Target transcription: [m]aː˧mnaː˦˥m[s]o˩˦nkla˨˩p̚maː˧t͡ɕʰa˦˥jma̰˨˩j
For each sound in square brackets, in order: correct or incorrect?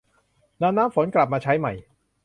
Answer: incorrect: n, incorrect: f

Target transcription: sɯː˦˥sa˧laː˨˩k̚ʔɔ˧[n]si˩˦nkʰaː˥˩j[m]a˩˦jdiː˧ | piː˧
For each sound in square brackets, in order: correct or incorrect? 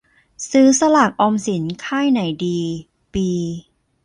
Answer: incorrect: m, incorrect: n

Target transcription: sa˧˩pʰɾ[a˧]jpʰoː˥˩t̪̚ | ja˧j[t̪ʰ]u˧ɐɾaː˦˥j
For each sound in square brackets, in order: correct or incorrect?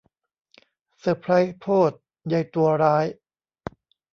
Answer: incorrect: a˦˥, incorrect: t̪

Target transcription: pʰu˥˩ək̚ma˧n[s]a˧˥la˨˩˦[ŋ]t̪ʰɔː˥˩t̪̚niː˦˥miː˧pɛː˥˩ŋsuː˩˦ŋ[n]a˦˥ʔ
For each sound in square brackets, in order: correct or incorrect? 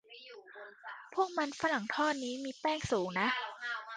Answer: incorrect: f, correct, correct

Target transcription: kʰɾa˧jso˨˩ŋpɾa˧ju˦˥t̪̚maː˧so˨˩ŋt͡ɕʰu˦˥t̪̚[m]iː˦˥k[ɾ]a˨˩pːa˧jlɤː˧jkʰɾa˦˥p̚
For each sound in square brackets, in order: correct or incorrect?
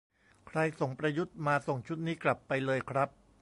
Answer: incorrect: n, incorrect: l

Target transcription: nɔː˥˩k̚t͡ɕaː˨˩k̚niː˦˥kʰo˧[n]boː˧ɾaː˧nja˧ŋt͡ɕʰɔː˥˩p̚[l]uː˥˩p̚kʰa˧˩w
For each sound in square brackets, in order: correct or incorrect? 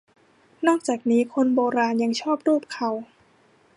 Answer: correct, incorrect: ɾ

